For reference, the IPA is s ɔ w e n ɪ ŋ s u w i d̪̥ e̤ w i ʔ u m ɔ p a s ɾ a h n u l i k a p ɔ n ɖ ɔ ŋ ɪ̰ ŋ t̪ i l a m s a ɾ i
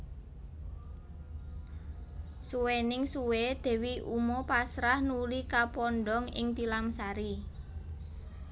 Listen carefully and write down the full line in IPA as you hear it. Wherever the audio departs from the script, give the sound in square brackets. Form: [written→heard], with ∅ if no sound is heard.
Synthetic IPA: s [ɔ→u] w e n ɪ ŋ s u w [i→e] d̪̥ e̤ w i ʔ u m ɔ p a s ɾ a h n u l i k a p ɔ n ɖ ɔ ŋ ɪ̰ ŋ t̪ i l a m s a ɾ i

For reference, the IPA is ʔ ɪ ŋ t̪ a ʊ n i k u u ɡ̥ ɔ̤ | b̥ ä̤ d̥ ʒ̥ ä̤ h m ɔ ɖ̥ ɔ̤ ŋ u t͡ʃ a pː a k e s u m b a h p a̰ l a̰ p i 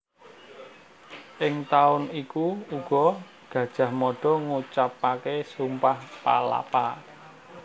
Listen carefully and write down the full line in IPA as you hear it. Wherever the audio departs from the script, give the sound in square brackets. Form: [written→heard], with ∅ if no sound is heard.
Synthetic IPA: ʔ ɪ ŋ t̪ a ʊ n i k u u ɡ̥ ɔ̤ | [b̥→ɡ̥] ä̤ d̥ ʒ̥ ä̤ h m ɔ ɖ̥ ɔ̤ ŋ u t͡ʃ a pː a k e s u m [b→p] a h p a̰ l a̰ p [i→a]

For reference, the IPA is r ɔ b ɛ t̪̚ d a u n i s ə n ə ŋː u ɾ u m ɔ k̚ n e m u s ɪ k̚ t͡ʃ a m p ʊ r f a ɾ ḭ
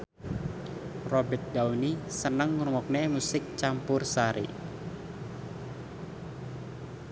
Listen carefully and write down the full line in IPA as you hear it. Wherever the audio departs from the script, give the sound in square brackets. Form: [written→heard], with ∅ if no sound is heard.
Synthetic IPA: r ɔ b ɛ t̪̚ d a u n i s ə n ə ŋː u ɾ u m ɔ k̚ n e m u s ɪ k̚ t͡ʃ a m p ʊ r [f→s] a ɾ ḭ

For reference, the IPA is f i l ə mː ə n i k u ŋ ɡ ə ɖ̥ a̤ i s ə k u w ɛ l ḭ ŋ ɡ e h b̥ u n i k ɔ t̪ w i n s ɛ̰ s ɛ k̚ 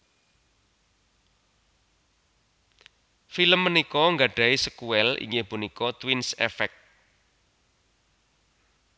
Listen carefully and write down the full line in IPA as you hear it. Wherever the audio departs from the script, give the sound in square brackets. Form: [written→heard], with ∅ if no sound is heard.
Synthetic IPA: f i l ə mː ə n i k [u→ɔ] ŋ ɡ [ə→a] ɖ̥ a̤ i s ə k u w ɛ l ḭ ŋ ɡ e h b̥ u n i k ɔ t̪ w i n s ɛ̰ [s→f] ɛ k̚

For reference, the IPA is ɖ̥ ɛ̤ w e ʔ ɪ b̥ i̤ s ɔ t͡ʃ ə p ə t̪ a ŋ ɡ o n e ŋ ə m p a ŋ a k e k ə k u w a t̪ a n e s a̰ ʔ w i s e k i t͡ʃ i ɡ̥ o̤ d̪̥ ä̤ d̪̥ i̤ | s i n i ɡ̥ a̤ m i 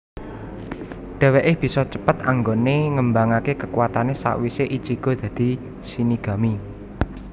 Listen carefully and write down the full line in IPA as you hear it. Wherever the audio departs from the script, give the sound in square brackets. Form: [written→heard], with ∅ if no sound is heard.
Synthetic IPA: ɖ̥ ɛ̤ w e ʔ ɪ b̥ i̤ s ɔ t͡ʃ ə p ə t̪ a ŋ ɡ o n e ŋ ə m [p→b] a ŋ a k e k ə k u w a t̪ a n e s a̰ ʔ w i s e [k→ʔ] i t͡ʃ i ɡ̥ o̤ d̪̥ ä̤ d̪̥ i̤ | s i n i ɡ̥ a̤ m i

